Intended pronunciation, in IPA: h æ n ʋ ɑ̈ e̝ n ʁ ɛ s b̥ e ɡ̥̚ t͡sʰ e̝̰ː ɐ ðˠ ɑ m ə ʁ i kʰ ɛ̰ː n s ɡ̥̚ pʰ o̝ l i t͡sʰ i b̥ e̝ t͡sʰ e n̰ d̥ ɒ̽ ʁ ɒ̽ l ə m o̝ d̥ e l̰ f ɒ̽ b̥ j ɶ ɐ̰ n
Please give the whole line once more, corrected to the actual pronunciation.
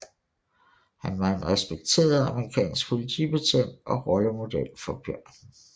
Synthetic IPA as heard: h æ n ʋ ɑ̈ e̝ n ʁ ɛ s b̥ e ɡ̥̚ t͡sʰ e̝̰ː ɐ ðˠ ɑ m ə ʁ i kʰ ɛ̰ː n s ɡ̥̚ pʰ o̝ l i t͡sʰ i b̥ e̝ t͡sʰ e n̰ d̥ ɒ̽ ʁ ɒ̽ l ə m o̝ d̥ e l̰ f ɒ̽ b̥ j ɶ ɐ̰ n